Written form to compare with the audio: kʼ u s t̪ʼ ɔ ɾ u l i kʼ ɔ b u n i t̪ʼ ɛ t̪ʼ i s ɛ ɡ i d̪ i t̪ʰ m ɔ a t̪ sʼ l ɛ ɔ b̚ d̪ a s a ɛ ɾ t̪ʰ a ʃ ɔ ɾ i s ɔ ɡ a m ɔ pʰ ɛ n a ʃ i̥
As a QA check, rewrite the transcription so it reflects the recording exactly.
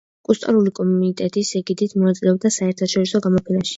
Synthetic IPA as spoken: kʼ u s t̪ʼ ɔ ɾ u l i kʼ ɔ m u n i t̪ʼ ɛ t̪ʼ i s ɛ ɡ i d̪ i t̪ʰ m ɔ a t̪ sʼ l ɛ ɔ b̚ d̪ a s a ɛ ɾ t̪ʰ a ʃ ɔ ɾ i s ɔ ɡ a m ɔ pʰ ɛ n a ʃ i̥